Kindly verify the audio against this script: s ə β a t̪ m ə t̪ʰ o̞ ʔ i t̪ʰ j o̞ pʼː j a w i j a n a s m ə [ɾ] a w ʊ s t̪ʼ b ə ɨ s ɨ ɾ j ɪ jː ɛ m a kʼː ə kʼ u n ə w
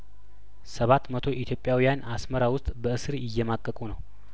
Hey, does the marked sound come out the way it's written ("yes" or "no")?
yes